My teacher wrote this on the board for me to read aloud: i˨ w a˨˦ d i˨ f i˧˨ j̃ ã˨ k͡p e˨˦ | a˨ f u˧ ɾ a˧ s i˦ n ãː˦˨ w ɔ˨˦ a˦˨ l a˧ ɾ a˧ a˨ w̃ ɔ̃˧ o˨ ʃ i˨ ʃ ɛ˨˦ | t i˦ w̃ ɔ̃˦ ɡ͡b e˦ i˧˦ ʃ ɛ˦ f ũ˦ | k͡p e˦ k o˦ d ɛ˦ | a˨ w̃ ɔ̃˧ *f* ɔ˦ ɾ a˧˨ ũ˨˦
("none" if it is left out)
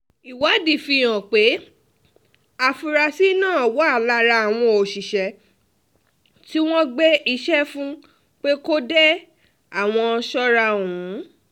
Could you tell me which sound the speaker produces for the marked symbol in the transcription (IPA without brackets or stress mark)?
ʃ